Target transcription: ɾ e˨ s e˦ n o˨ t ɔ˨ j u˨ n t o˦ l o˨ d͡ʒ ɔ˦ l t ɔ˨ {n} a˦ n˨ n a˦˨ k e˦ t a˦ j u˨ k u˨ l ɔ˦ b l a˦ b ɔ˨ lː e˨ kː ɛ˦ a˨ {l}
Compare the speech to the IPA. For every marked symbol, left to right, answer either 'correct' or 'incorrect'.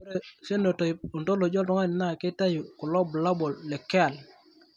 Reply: incorrect, correct

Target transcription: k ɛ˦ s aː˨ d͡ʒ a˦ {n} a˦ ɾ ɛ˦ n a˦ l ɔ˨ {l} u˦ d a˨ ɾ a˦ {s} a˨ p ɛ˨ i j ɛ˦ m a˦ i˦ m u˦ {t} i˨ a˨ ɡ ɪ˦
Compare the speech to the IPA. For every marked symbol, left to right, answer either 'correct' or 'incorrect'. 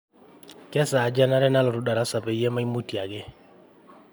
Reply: correct, incorrect, correct, correct

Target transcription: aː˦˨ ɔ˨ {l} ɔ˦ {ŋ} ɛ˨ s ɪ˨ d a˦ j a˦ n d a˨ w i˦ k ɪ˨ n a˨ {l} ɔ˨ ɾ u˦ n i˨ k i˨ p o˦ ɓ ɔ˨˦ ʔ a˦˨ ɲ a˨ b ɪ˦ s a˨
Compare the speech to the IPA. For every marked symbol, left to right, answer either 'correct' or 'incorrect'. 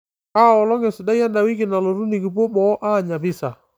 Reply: correct, correct, correct

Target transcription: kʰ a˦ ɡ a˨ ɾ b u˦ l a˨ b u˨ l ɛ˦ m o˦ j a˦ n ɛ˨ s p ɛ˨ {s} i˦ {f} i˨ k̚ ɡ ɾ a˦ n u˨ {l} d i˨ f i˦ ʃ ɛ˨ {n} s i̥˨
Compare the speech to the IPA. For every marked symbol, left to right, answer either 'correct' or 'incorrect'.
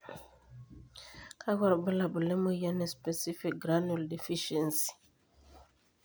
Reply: correct, correct, correct, correct

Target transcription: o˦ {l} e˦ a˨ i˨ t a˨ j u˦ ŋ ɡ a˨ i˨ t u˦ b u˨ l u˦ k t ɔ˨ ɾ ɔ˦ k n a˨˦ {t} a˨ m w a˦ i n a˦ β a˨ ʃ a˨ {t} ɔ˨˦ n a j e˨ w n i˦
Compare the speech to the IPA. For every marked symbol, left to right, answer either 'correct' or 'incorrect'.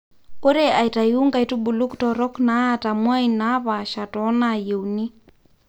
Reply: incorrect, correct, correct

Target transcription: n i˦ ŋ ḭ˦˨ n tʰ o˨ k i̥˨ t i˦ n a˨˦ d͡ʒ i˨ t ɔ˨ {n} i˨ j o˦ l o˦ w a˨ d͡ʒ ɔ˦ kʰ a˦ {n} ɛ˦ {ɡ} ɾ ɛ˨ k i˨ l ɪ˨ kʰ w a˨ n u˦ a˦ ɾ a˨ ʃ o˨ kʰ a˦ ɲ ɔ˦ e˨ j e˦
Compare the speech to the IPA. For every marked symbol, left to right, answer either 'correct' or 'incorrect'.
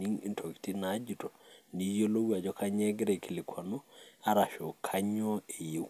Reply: correct, incorrect, correct

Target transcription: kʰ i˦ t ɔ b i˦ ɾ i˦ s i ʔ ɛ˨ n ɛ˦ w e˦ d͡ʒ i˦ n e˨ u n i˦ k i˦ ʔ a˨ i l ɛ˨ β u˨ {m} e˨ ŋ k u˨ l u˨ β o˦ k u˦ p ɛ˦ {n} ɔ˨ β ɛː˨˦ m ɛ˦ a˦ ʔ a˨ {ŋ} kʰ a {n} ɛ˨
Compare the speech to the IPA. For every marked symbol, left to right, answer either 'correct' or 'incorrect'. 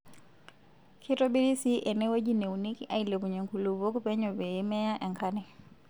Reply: incorrect, incorrect, correct, correct

